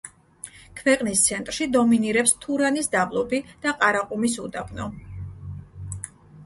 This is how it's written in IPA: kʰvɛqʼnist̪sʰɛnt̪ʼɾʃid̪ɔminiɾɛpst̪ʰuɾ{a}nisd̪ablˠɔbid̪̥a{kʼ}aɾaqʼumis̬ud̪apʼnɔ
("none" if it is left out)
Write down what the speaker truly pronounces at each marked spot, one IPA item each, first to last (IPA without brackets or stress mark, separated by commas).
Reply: a, qʼ